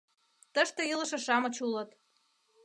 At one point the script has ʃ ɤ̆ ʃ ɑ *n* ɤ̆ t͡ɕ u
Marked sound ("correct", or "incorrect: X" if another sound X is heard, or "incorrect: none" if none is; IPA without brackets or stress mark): incorrect: m